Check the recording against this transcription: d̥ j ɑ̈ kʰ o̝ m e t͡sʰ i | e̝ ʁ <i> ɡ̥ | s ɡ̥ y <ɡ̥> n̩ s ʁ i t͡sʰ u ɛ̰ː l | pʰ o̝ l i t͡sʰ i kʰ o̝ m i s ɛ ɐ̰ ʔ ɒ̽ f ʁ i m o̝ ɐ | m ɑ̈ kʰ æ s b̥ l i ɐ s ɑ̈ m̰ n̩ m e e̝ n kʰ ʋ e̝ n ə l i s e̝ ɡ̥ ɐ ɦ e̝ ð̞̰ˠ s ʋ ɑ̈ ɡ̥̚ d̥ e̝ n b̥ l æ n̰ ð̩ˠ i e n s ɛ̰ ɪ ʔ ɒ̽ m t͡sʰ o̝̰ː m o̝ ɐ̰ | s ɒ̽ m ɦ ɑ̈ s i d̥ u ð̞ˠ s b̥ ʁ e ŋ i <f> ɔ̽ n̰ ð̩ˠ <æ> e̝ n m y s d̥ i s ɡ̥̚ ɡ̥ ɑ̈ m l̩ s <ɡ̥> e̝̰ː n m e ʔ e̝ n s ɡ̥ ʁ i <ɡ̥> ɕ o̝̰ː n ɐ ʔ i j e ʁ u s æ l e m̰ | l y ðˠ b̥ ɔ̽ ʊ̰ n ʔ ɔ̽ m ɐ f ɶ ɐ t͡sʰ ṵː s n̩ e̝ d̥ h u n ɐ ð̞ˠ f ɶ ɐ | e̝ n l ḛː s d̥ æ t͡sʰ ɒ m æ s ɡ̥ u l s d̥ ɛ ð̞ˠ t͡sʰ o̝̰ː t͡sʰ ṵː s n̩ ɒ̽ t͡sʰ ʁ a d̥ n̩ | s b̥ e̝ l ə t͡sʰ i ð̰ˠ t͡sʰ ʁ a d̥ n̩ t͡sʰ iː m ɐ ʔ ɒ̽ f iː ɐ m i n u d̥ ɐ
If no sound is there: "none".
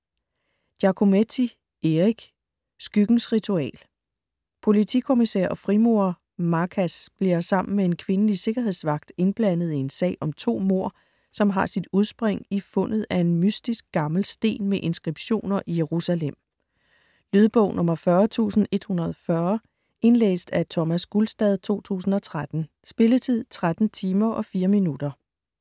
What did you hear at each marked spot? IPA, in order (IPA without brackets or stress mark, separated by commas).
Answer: i, ɡ̥, f, æ, d̥, b̥